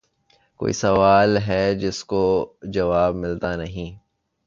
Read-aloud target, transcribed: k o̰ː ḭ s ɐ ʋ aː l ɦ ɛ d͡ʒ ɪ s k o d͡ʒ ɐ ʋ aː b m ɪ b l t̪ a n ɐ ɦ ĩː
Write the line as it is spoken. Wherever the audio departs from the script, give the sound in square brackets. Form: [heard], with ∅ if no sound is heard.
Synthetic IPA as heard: k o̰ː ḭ s ɐ ʋ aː l ɦ ɛ d͡ʒ ɪ s k o d͡ʒ ɐ ʋ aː b m ɪ [∅] l t̪ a n ɐ ɦ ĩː